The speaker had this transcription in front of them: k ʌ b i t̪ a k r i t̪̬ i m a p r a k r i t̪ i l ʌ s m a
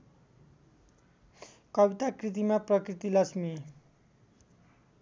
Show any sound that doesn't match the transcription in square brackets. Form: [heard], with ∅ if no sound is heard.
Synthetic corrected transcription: k ʌ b i t̪ a k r i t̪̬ i m a p r [ʌ] k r i t̪ i l ʌ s m [i]